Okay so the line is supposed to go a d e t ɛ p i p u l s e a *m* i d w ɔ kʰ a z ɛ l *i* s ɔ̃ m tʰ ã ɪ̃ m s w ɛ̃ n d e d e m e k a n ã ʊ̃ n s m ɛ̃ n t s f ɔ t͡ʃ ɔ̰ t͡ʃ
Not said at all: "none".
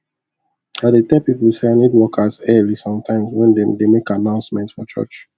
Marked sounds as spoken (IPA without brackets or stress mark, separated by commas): n, i